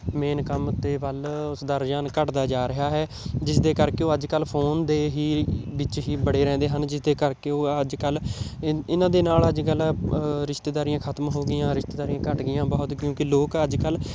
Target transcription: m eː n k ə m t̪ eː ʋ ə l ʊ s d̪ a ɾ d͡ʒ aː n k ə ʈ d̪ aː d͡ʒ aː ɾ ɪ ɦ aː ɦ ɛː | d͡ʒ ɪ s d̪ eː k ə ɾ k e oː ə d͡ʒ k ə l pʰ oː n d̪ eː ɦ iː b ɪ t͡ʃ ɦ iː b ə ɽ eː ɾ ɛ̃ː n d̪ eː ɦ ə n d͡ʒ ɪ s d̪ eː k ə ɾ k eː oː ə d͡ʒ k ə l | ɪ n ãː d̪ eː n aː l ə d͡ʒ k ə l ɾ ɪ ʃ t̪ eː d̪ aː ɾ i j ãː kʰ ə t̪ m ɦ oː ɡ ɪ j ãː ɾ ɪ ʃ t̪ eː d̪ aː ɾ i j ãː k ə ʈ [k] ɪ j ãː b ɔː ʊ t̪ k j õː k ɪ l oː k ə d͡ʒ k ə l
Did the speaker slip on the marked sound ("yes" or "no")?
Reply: yes